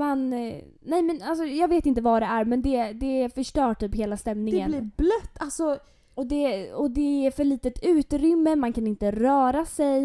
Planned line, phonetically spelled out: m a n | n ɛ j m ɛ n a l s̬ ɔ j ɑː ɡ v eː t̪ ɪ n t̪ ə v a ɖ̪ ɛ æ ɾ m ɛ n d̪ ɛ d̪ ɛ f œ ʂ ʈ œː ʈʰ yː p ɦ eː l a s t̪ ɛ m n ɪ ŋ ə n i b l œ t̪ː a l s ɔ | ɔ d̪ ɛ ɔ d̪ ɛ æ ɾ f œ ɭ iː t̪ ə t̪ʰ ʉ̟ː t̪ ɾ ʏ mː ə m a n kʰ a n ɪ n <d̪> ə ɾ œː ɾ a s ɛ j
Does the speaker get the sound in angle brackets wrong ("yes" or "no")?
yes